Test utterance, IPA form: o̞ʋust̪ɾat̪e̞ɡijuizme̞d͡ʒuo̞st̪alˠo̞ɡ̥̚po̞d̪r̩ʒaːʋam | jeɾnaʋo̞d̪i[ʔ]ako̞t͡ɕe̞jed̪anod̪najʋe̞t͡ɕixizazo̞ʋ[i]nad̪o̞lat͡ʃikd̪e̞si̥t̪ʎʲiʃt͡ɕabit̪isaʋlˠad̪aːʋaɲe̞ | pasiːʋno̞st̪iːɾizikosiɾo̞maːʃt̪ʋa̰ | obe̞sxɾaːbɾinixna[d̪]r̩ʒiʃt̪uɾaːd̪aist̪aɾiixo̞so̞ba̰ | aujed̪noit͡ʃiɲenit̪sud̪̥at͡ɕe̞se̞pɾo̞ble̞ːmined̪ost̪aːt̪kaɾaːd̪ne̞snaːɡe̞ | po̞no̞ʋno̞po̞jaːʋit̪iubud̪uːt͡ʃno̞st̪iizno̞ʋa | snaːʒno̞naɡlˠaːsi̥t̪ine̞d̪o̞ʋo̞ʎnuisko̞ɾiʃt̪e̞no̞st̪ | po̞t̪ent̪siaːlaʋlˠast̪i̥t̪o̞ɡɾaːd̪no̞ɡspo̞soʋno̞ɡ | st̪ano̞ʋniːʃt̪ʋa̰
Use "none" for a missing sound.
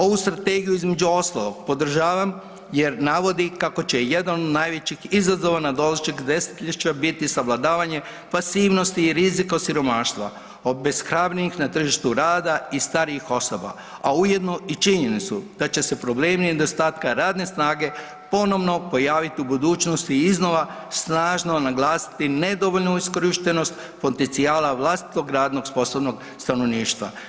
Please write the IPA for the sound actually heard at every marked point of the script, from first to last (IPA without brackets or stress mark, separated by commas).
k, a, t̪